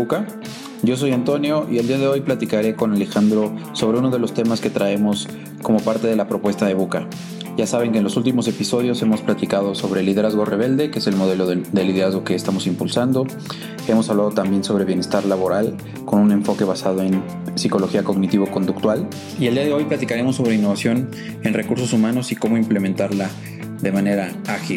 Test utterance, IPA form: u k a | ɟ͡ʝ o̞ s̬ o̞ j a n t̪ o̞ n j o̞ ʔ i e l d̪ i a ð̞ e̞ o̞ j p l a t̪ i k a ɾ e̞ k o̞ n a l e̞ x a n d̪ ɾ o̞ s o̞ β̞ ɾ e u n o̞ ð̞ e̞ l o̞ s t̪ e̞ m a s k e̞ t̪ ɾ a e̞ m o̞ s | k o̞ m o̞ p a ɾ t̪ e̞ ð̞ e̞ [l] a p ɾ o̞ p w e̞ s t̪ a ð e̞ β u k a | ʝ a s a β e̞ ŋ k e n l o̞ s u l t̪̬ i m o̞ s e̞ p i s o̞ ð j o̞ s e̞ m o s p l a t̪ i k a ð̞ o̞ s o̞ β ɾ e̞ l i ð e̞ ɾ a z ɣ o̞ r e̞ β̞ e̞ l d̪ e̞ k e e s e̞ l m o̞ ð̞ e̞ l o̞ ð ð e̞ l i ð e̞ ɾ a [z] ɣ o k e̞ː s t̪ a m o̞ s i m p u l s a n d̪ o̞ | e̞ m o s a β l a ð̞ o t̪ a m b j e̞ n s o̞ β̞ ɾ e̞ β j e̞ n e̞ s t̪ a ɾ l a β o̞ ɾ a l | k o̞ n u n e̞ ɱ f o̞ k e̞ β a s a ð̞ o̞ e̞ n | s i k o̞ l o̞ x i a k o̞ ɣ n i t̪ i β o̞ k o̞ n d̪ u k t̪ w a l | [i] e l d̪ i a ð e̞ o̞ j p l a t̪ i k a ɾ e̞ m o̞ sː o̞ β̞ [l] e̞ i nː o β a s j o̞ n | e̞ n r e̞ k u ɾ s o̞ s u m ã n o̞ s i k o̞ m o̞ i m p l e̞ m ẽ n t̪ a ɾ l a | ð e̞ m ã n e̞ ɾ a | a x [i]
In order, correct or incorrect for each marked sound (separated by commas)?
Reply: correct, correct, correct, incorrect, correct